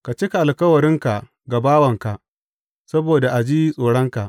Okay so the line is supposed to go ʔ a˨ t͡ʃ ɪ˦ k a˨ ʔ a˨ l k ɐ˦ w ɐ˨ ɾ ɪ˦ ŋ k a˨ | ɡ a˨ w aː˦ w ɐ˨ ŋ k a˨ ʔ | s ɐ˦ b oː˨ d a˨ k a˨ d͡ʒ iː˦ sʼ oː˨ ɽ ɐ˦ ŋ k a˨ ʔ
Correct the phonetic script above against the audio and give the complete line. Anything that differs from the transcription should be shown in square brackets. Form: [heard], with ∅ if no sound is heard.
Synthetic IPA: [k] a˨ t͡ʃ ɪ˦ k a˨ ʔ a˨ l k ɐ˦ w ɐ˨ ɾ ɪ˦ ŋ k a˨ | ɡ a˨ [b] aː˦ w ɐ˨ ŋ k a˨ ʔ | s ɐ˦ b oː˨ d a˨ [ʔ] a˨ d͡ʒ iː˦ sʼ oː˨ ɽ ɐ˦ ŋ k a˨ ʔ